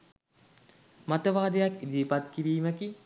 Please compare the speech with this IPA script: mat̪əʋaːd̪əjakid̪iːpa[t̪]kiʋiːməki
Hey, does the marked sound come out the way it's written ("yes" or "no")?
yes